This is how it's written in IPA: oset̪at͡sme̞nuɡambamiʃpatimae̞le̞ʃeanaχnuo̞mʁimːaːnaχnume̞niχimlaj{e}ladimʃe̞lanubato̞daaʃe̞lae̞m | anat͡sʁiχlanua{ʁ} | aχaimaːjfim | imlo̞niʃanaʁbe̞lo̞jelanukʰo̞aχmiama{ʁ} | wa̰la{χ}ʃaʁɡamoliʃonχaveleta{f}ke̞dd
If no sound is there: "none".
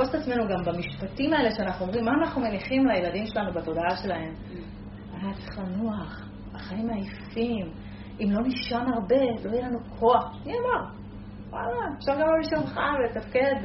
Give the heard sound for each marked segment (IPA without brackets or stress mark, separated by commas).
e, χ, ʁ, f, f